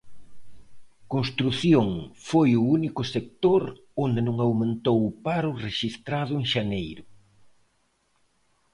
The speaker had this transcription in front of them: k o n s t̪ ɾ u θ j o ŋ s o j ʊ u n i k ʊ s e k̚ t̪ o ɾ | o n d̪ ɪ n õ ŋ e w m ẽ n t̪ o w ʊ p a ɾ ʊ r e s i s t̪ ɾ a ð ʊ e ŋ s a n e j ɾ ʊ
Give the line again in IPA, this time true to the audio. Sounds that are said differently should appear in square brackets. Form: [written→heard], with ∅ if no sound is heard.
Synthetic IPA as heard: k o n s t̪ ɾ u θ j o ŋ [s→f] o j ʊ u n i k ʊ s e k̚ t̪ o ɾ | o n d̪ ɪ n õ ŋ [e→a] w m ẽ n t̪ o w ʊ p a ɾ ʊ r e [s→ʃ] i s t̪ ɾ a ð ʊ e ŋ [s→ʃ] a n e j ɾ ʊ